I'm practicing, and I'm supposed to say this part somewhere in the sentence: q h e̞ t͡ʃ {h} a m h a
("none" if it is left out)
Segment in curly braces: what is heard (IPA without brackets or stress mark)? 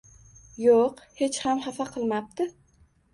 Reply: h